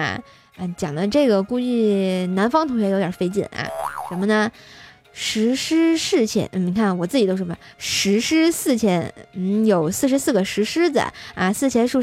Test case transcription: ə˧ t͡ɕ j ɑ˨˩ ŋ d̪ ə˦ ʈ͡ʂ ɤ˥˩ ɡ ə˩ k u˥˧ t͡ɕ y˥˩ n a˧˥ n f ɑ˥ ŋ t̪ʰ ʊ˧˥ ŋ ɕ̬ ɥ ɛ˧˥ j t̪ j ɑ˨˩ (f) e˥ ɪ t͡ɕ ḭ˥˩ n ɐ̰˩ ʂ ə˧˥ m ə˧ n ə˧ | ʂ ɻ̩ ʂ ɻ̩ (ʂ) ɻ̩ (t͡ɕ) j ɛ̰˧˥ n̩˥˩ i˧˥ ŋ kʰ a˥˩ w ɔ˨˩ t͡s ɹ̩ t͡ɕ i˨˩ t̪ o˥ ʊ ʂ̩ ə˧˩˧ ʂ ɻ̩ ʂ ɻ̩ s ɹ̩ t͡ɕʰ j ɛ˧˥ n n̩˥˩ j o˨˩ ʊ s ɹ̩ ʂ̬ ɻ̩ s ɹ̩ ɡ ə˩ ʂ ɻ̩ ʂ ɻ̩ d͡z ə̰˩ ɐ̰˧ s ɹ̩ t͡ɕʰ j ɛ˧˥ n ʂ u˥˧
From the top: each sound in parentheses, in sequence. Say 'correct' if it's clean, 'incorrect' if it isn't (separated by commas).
correct, correct, incorrect